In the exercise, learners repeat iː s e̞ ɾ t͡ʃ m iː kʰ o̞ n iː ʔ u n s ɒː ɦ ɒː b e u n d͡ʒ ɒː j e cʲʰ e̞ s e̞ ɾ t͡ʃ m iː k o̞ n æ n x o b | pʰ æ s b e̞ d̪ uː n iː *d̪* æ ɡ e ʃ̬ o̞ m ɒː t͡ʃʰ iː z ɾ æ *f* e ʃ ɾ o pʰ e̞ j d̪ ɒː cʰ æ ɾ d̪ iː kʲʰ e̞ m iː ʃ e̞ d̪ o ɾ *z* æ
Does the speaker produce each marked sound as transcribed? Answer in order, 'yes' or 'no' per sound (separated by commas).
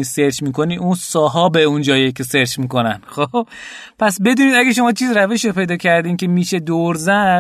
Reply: yes, no, yes